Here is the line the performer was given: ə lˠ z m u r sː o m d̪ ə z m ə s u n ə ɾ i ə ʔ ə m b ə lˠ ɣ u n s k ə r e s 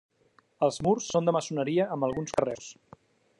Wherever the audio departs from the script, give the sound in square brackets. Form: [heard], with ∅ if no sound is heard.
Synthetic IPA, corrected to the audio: ə lˠ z m u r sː o [n] d̪ ə [∅] m ə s u n ə ɾ i ə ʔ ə m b ə lˠ ɣ u n s k ə r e s